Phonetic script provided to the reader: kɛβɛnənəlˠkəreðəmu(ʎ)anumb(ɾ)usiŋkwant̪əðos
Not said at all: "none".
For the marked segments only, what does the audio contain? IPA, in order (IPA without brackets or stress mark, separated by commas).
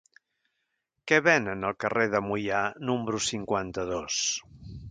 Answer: j, ɾ